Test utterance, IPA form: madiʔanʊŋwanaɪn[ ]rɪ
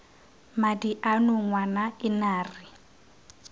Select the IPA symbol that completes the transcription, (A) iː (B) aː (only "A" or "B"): B